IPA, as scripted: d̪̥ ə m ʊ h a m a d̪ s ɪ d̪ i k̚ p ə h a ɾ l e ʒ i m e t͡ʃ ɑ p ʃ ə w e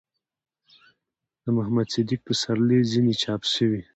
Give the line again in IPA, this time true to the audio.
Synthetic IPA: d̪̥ ə m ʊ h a m a d̪ s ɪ d̪ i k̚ p ə s a ɾ l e z i n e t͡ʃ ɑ p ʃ ə w i